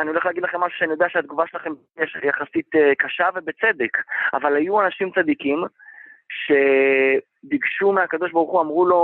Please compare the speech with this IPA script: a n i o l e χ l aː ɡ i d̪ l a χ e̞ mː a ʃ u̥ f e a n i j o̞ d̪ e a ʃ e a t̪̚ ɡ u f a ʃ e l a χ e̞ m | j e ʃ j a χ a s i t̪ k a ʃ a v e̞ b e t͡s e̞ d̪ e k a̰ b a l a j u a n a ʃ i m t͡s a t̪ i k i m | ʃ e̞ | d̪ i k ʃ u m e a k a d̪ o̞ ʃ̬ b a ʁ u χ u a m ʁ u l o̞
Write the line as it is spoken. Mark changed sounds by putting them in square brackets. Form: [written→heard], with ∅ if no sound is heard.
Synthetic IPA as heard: a n i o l e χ l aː ɡ i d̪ l a χ e̞ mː a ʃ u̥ [f→ʃ] e a n i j o̞ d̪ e a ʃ e a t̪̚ ɡ u [f→v] a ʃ e l a χ e̞ m | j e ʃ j a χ a s i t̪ k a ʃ a v e̞ b e t͡s e̞ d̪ e k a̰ [b→v] a l a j u a n a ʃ i m t͡s a [t̪→d̪] i k i m | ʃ e̞ | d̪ i [k→ɡ] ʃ u m e a k a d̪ o̞ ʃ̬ b a ʁ u χ u a m ʁ u l o̞